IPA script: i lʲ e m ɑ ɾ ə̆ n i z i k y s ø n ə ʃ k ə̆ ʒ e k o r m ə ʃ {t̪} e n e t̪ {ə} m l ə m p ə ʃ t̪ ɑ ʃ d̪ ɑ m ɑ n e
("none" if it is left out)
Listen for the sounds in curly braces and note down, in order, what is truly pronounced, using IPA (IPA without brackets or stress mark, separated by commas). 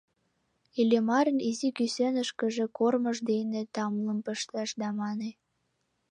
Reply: d̪, ɑ